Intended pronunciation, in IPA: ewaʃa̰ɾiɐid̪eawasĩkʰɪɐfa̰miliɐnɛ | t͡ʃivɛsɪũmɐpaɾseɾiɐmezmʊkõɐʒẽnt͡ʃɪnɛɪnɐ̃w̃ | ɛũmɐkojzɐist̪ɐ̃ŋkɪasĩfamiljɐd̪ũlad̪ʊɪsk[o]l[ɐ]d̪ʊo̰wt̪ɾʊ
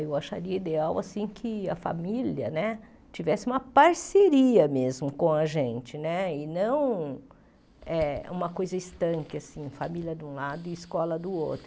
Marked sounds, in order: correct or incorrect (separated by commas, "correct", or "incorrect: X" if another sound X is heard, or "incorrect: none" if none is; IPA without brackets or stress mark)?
incorrect: ɔ, correct